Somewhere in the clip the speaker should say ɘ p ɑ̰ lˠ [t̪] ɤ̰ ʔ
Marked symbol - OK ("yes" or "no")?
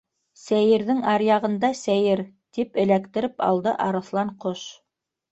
no